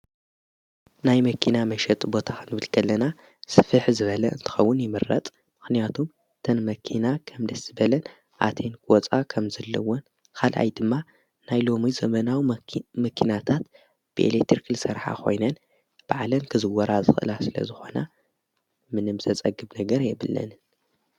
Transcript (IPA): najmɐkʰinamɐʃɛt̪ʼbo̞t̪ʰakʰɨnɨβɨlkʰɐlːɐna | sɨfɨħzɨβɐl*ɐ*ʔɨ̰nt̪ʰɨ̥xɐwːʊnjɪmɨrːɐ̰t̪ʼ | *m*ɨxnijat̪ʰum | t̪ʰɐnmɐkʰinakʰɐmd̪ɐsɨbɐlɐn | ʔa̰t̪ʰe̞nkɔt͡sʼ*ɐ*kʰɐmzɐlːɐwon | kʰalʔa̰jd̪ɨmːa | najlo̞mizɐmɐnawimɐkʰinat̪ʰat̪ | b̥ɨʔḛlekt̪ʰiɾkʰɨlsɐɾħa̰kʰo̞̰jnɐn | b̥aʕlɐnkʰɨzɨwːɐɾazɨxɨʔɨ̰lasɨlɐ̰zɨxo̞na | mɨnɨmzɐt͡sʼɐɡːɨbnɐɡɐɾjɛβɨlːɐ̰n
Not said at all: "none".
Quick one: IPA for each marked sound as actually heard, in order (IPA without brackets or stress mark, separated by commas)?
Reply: ɐ, m, a